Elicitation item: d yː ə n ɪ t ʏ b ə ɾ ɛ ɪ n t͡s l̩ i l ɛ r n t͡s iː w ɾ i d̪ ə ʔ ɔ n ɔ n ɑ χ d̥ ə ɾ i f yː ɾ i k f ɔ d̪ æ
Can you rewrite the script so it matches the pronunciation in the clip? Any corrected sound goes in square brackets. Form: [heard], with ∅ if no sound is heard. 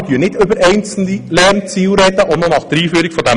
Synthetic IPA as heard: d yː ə n ɪ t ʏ b ə ɾ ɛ ɪ n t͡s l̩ i l ɛ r n t͡s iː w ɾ [ɛ] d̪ ə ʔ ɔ n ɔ n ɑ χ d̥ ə ɾ [iː] f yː ɾ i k f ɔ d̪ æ

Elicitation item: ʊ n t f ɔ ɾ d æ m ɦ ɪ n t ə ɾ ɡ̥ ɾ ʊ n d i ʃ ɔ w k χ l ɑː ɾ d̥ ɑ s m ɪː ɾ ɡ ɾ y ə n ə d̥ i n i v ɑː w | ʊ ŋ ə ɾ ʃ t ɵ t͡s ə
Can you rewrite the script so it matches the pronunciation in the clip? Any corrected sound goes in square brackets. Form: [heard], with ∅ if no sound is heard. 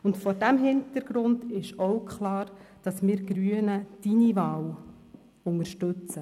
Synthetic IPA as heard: ʊ n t f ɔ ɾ d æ m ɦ ɪ n t ə ɾ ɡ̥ ɾ ʊ n d [ɪ] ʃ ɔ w k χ l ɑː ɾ d̥ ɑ s m ɪː ɾ ɡ ɾ y ə n ə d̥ i n i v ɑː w | ʊ ŋ ə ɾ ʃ t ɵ t͡s ə

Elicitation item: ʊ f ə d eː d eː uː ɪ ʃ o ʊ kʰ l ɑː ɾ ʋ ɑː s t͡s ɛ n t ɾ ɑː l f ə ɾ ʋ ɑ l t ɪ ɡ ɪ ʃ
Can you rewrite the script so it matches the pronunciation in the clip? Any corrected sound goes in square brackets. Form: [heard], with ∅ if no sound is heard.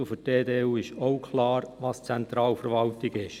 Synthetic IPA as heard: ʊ f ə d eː d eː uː ɪ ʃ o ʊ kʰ l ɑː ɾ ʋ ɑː s t͡s ɛ n t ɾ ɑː l f ə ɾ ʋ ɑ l t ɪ ɡ ɪ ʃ

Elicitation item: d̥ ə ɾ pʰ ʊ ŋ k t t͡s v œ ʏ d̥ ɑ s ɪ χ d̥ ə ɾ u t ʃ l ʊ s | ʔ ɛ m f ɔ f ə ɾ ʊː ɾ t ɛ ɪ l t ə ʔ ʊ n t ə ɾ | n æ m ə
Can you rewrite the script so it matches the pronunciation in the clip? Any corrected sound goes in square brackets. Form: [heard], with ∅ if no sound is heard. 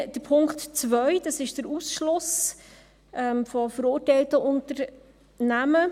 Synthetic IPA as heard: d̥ ə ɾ pʰ ʊ ŋ k t t͡s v œ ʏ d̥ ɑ s ɪ [ʃ] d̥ ə ɾ u [s] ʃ l ʊ s | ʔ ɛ m f ɔ f ə ɾ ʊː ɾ t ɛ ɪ l t ə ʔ ʊ n t ə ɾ | n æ m ə

